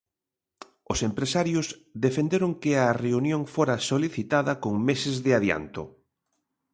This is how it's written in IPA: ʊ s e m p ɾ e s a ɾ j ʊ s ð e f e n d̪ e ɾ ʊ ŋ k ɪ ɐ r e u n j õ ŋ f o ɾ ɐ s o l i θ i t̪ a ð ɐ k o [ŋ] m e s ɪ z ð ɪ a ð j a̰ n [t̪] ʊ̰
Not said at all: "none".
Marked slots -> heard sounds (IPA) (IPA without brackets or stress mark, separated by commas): ŋ, t̪